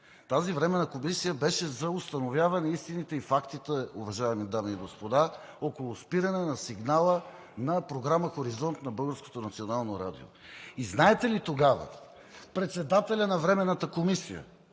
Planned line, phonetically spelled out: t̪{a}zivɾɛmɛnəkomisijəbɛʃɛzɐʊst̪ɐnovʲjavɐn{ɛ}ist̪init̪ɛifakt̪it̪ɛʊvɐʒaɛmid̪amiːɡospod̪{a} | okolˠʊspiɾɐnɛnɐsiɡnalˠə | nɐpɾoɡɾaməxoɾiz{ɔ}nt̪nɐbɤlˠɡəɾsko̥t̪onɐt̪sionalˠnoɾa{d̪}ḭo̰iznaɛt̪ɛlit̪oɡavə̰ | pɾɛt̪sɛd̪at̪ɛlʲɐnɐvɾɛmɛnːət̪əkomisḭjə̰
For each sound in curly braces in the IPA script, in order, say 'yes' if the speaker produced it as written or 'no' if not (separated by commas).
yes, yes, yes, yes, yes